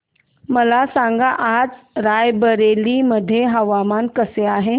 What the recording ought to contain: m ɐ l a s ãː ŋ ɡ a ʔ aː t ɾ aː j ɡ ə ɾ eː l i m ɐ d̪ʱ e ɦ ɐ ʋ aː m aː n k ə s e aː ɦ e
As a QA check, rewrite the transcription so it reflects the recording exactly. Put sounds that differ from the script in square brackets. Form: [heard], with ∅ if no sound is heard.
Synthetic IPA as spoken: m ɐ l a s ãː ŋ ɡ a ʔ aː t ɾ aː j [b] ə ɾ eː l i m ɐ d̪ʱ e ɦ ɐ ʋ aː m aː n k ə s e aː ɦ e